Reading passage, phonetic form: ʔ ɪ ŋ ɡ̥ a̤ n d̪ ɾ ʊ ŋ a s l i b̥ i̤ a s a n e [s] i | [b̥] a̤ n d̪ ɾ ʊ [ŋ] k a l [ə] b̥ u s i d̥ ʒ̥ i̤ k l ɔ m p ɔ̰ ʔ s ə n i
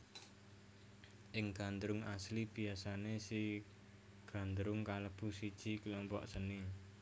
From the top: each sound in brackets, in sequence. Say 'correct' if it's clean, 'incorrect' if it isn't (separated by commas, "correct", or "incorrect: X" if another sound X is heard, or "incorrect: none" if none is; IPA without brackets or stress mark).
correct, incorrect: ɡ̥, correct, correct